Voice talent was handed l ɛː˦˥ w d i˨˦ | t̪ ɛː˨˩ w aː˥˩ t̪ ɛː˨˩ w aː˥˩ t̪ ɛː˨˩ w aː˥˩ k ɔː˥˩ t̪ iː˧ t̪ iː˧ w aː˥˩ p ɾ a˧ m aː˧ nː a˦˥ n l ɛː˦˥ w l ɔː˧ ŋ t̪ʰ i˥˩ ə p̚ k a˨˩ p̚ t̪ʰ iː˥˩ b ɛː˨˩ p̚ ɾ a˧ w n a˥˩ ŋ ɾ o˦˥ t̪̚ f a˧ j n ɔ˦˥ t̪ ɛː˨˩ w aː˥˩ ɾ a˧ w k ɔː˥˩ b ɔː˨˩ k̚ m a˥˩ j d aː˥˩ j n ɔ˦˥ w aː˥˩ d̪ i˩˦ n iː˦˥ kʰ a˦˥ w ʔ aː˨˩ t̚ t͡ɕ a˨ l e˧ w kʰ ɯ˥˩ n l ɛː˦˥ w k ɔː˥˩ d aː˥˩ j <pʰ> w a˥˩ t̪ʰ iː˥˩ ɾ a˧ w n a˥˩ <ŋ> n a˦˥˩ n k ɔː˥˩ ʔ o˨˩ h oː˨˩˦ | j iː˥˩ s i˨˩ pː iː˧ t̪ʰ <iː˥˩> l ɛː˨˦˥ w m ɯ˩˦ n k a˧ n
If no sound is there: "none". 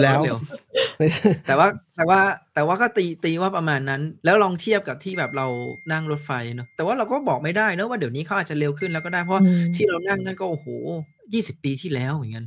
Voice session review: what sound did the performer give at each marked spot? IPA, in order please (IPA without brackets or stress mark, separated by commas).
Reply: pʰ, ŋ, iː˥˩